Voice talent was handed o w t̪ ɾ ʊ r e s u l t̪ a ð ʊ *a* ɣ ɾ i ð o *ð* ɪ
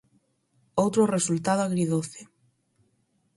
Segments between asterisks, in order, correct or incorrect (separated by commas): correct, incorrect